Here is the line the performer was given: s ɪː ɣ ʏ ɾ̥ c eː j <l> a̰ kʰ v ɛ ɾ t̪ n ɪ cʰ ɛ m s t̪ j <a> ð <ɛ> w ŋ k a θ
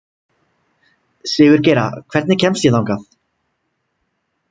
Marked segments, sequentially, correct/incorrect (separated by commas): incorrect, incorrect, incorrect